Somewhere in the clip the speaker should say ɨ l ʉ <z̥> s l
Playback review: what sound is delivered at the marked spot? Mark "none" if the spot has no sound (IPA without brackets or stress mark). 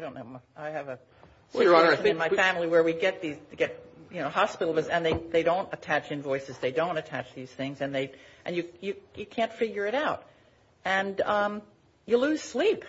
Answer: z̥